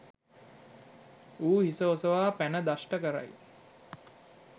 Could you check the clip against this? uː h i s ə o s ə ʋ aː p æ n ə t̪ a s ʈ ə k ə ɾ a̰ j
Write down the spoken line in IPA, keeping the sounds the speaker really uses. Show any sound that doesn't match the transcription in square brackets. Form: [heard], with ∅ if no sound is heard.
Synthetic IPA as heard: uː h i s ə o s ə ʋ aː p æ n ə [d̪] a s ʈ ə k ə ɾ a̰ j